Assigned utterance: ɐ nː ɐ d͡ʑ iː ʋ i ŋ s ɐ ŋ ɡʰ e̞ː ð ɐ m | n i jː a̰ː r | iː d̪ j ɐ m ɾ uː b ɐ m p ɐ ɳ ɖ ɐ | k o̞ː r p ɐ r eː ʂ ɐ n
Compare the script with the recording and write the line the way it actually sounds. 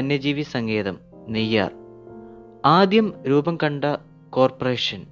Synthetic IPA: ɐ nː ɐ d͡ʑ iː ʋ i s ɐ ŋ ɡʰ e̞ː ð ɐ m | n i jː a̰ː r | aː d̪ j ɐ m ɾ uː b ɐ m k ɐ ɳ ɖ ɐ | k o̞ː r p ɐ r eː ʂ ɐ n